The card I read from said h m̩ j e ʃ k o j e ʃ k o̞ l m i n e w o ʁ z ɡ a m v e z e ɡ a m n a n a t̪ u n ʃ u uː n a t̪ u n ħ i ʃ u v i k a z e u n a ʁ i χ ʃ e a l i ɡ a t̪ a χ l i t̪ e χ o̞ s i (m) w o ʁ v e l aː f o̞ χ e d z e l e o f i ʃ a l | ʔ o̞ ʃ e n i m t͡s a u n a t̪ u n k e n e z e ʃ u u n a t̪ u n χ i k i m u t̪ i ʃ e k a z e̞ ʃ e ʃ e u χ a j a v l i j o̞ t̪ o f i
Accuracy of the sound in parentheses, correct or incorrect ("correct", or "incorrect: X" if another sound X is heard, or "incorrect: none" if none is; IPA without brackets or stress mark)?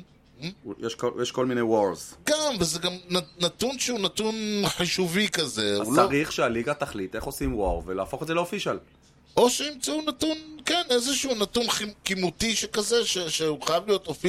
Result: correct